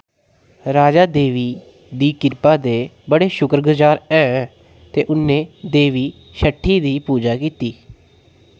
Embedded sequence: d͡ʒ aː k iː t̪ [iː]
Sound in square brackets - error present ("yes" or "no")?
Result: no